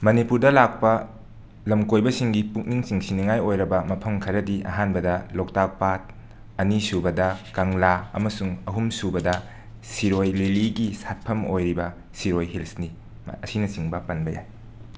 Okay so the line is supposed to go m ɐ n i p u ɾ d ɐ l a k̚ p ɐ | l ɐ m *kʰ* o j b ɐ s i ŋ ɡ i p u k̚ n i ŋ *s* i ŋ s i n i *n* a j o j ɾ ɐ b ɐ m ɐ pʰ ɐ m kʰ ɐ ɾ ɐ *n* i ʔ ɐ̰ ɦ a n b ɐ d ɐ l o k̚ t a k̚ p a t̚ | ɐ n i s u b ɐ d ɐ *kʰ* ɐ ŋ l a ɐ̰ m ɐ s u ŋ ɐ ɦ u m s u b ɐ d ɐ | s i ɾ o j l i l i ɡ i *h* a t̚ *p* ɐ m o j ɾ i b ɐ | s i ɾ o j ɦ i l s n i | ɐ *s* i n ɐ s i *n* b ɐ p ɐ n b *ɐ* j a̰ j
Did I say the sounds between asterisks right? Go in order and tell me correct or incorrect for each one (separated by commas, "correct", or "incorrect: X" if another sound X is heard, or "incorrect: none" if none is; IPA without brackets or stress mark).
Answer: incorrect: k, correct, incorrect: ŋ, incorrect: d, incorrect: k, incorrect: s, incorrect: pʰ, correct, incorrect: ŋ, correct